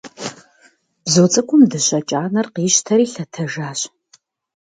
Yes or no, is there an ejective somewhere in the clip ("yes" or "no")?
yes